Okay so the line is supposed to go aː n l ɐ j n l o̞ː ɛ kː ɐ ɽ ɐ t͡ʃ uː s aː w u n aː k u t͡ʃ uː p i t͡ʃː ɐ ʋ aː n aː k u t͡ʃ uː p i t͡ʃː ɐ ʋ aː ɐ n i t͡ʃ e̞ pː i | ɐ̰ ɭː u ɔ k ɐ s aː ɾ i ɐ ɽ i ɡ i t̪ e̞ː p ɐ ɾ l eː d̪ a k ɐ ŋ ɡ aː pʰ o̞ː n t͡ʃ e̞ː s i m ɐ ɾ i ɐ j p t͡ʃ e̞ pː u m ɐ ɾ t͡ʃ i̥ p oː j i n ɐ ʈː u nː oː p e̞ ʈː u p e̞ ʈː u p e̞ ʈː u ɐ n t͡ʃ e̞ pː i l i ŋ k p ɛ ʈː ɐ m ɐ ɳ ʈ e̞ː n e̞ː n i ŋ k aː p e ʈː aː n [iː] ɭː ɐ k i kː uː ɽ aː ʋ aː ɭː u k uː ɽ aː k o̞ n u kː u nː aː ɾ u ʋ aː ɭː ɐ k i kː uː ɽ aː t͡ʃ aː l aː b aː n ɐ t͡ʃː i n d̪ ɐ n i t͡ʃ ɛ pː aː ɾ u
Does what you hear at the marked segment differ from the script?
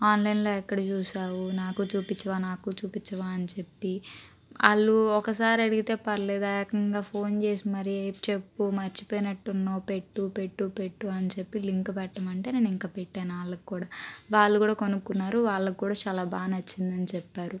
yes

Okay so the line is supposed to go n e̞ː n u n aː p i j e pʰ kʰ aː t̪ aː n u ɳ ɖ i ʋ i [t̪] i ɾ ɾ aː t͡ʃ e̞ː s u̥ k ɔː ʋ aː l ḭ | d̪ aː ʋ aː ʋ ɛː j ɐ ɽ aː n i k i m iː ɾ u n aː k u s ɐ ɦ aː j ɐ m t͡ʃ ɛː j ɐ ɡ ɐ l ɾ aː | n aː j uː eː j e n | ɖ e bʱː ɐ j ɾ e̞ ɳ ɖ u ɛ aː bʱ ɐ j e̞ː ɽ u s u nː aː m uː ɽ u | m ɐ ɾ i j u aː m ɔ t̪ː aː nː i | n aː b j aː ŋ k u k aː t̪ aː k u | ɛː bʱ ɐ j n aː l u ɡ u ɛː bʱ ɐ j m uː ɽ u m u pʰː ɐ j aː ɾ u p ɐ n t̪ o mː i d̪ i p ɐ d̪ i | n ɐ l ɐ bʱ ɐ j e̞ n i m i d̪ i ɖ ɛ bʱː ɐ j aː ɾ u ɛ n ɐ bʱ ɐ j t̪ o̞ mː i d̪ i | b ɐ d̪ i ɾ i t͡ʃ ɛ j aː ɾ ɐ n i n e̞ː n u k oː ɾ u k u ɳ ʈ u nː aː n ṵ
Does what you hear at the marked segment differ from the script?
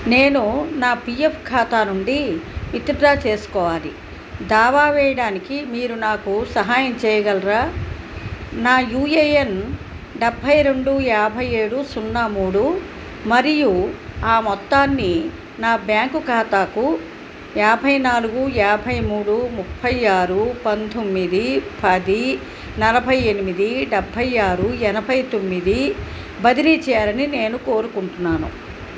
no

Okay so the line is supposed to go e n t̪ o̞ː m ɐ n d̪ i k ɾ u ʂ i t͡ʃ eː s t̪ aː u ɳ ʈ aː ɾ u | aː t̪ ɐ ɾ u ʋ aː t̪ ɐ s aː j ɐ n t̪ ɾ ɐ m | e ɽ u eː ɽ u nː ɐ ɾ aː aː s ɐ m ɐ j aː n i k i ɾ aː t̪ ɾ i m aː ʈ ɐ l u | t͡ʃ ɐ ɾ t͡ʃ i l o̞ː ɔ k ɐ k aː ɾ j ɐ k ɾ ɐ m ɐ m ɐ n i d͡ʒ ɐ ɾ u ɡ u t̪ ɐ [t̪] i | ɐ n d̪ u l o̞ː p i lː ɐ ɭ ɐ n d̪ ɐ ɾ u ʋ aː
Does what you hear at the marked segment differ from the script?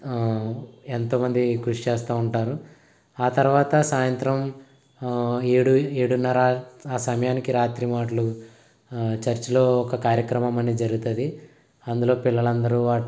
yes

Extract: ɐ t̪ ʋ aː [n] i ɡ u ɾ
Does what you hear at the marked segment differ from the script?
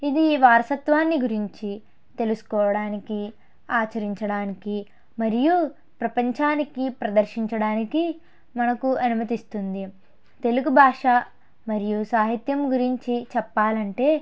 yes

